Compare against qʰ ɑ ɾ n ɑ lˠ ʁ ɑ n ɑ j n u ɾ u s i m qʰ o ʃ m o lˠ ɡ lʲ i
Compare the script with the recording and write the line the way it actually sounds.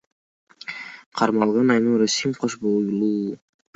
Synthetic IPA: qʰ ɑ ɾ m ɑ lˠ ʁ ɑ n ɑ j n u ɾ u s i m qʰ o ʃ b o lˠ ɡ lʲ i